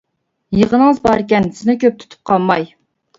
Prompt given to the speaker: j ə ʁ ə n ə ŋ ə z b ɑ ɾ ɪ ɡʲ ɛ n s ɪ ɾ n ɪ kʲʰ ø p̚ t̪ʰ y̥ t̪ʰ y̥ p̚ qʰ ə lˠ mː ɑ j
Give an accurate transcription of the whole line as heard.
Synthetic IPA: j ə ʁ ə n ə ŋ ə z b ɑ ɾ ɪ kʲ ɛ n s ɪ n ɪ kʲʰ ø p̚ t̪ʰ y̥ t̪ʰ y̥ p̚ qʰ ɑ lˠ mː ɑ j